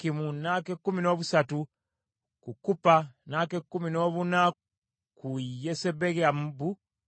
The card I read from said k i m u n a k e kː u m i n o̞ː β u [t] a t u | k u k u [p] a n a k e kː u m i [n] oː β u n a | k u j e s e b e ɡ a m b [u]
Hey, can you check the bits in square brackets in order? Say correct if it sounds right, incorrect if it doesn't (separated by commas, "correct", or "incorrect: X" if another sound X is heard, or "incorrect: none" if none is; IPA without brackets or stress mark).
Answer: incorrect: s, correct, correct, correct